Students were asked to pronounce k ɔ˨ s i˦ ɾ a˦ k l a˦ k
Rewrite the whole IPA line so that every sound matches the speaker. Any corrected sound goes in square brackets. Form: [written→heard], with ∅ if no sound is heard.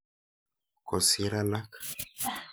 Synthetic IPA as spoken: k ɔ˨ s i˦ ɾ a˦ [k→∅] l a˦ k